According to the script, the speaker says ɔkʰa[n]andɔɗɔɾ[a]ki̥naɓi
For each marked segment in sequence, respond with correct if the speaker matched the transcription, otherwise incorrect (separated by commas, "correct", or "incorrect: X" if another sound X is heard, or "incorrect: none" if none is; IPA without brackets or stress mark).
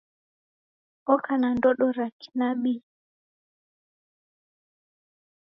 correct, correct